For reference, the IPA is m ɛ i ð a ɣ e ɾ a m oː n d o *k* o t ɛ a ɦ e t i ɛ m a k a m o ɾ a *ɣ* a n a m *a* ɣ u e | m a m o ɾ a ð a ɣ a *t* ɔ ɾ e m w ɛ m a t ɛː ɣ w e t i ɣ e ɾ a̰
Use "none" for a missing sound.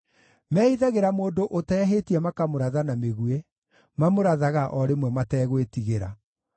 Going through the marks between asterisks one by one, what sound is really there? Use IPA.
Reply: ʔ, ð, e, ʔ

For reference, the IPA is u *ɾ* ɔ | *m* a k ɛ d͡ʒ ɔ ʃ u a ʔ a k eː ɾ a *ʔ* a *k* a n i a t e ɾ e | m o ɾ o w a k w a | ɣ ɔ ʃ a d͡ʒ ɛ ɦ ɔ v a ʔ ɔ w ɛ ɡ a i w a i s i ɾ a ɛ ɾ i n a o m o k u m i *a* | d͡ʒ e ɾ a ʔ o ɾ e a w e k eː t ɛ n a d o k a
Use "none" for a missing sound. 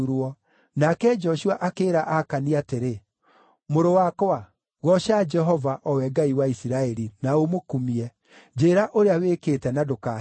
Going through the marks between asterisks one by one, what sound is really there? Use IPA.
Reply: ɾ, n, ʔ, k, ɛ

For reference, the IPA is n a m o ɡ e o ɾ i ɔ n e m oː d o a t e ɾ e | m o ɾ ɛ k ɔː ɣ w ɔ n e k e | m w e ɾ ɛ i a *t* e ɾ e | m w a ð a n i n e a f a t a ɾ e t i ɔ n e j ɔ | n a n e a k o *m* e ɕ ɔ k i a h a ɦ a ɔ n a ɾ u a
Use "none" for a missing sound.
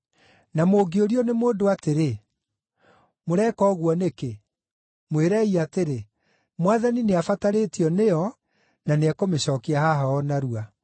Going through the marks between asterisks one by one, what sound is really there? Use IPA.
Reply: t, m

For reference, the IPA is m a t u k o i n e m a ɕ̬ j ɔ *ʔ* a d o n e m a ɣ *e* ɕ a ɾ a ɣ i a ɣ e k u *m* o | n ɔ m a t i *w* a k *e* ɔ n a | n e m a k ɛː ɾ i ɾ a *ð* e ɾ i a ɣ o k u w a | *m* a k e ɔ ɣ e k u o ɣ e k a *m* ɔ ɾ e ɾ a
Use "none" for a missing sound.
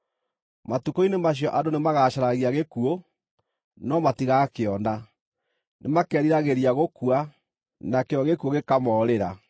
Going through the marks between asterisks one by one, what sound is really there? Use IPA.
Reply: ʔ, a, none, ɣ, e, ɣ, n, m

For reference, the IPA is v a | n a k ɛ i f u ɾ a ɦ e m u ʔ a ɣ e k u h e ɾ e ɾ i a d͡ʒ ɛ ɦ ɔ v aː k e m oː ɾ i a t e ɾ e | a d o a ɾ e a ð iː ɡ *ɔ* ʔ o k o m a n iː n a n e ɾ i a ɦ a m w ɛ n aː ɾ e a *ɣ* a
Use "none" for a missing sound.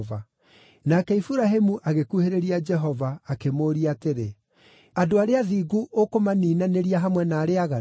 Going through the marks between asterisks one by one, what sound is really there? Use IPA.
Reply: u, ɣ

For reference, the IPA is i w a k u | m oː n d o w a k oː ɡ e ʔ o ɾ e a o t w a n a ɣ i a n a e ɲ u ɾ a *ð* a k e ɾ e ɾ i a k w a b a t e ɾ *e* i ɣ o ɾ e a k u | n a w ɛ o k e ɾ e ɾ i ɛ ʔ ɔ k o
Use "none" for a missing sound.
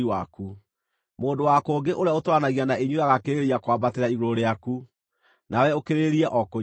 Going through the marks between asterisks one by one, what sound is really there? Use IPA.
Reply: ɣ, a

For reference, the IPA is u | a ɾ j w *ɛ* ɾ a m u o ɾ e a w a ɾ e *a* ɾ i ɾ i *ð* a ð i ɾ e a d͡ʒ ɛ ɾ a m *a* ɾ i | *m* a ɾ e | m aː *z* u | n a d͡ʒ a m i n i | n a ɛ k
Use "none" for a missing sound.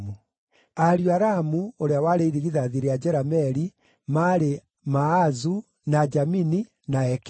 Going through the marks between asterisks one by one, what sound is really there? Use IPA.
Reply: a, i, ð, ɛ, m, z

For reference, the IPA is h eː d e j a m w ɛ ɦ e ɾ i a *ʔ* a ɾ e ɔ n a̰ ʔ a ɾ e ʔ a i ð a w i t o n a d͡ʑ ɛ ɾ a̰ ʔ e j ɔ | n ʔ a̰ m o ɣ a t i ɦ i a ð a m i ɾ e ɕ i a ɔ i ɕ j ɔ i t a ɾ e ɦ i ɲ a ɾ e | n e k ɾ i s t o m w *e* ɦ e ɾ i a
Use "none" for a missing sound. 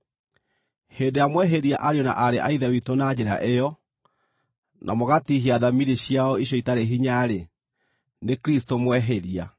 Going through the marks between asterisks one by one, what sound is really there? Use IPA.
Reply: ʔ, ɛ

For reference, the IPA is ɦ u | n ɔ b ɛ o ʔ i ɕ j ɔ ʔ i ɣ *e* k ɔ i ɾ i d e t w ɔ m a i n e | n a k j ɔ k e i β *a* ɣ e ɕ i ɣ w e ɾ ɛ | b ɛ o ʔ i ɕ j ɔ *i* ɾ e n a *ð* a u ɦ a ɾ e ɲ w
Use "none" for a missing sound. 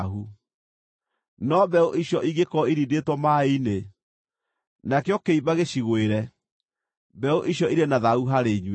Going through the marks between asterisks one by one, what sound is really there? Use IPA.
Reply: e, a, i, ð

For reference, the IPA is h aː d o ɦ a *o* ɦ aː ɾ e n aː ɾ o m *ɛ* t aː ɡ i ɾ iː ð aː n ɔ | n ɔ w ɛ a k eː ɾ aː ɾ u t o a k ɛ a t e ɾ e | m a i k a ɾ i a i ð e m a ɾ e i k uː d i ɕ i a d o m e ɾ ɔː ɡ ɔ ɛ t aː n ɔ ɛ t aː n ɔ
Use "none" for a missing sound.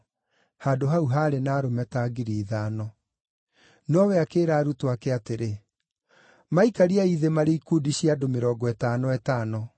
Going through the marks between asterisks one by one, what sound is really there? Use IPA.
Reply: u, ɛ

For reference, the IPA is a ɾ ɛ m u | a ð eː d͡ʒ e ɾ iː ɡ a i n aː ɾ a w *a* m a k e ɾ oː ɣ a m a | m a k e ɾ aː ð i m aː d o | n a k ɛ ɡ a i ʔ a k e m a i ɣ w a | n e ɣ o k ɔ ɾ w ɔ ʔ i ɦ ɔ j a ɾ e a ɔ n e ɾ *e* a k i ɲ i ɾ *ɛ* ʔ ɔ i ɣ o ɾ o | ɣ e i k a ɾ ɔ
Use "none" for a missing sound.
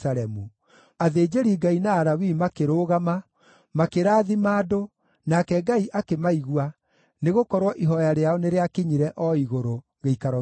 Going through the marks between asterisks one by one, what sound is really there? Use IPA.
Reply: i, e, ɛ

